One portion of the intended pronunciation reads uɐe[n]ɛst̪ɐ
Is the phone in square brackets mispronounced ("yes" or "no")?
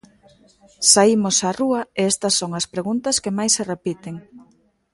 yes